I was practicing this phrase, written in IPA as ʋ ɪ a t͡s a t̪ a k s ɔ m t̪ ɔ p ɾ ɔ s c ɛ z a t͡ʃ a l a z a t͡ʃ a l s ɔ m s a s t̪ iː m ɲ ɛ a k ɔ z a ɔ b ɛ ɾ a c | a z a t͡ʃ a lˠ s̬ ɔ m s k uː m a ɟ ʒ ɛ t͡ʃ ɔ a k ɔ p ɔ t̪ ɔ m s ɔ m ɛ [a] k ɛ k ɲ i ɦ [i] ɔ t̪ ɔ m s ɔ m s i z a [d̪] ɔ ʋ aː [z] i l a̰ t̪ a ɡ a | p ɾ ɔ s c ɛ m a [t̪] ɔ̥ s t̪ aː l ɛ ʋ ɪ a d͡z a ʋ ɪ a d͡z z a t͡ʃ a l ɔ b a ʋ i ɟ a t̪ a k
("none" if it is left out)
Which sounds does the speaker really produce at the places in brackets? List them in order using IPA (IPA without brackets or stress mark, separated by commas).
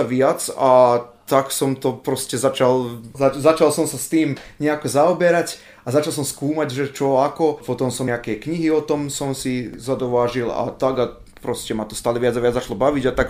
a, i, d̪, ʒ, t̪